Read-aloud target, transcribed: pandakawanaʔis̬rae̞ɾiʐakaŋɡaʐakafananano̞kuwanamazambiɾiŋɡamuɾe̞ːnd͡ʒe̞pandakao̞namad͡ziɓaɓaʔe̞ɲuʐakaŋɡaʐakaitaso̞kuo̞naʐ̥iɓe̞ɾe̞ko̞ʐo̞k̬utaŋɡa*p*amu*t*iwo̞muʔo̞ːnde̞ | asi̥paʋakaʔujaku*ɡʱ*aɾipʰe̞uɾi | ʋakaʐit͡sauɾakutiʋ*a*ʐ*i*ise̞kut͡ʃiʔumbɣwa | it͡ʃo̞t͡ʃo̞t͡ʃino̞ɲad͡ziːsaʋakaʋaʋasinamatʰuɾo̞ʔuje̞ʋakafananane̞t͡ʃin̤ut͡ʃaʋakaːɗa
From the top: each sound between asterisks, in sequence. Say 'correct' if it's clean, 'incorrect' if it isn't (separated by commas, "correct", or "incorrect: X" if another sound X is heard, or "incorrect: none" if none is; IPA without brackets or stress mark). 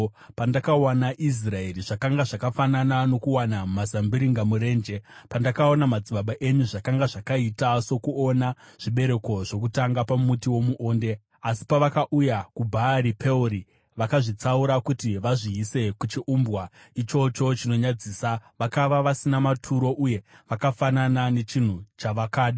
correct, correct, incorrect: bʱ, correct, correct